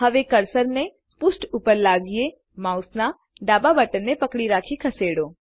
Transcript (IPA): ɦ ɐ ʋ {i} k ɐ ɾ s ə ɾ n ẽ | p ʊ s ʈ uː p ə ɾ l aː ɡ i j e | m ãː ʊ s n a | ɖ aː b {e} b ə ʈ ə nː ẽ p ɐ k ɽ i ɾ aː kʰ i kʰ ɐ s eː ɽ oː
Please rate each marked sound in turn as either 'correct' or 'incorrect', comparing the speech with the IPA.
incorrect: e, incorrect: a

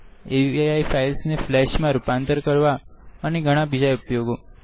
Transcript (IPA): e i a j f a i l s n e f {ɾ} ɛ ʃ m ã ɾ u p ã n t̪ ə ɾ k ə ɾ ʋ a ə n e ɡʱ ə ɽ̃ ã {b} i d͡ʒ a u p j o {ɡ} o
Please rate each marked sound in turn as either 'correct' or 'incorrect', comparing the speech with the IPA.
incorrect: l, correct, correct

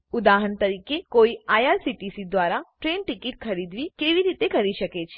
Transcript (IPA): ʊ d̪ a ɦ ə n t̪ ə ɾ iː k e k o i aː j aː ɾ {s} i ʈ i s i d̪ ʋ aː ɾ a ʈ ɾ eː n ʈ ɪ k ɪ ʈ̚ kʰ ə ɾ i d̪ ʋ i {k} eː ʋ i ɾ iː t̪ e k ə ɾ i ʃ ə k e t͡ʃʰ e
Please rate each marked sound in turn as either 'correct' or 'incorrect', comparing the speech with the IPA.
correct, correct

